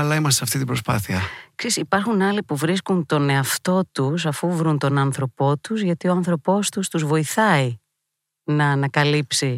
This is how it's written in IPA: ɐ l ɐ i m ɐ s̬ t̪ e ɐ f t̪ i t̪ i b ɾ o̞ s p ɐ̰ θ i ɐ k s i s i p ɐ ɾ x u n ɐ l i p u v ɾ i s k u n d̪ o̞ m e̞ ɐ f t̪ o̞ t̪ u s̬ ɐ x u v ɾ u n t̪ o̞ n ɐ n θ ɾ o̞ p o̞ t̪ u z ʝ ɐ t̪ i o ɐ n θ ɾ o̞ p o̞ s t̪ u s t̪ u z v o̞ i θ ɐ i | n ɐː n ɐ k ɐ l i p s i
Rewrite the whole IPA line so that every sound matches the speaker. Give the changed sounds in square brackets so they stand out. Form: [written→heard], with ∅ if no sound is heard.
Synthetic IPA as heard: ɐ l ɐ i m ɐ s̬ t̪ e ɐ f t̪ i t̪ i b ɾ o̞ s p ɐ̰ θ i ɐ k s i s i p ɐ ɾ x u n ɐ l i p u v ɾ i s k u n [d̪→t̪] o̞ [m→n] e̞ ɐ f t̪ o̞ t̪ u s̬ ɐ [x→f] u v ɾ u n t̪ o̞ n ɐ n θ ɾ o̞ p o̞ t̪ u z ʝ ɐ t̪ i o ɐ n θ ɾ o̞ p o̞ s t̪ u s t̪ u z v o̞ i θ ɐ i | n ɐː n ɐ k ɐ l i p s i